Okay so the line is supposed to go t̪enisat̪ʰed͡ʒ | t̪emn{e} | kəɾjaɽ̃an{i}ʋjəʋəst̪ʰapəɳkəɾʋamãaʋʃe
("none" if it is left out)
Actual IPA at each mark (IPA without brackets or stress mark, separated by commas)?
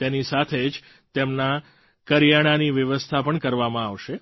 a, i